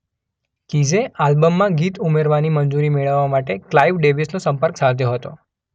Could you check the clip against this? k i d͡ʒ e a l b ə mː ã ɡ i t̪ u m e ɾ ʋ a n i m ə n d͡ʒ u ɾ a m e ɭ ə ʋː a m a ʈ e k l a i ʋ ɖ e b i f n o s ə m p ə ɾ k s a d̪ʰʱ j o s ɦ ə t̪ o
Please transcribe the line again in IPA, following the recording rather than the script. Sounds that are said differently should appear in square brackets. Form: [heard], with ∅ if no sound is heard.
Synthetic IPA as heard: k i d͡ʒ e a l b ə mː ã ɡ i t̪ u m e ɾ ʋ a n i m ə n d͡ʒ u ɾ [i] m e ɭ ə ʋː a m a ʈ e k l a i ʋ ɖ e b i [s] n o s ə m p ə ɾ k s a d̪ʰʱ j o [∅] ɦ ə t̪ o